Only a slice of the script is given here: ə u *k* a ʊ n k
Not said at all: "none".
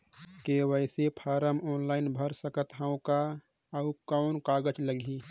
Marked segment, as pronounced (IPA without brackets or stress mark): k